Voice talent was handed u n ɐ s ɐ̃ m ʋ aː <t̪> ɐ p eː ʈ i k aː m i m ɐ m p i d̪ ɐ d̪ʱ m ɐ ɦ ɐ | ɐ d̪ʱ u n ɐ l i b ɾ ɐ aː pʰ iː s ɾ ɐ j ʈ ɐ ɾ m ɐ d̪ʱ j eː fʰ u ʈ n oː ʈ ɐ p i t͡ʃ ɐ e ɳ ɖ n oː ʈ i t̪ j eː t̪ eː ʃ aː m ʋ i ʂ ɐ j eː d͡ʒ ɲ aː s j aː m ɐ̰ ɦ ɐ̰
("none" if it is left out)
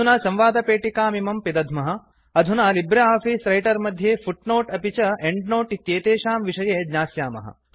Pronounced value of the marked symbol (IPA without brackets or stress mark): d̪